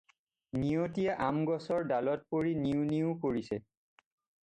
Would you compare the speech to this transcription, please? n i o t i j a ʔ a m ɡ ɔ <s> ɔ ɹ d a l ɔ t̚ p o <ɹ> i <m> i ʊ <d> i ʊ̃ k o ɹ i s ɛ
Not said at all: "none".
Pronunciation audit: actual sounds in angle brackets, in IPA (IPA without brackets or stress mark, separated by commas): s, ɹ, n, n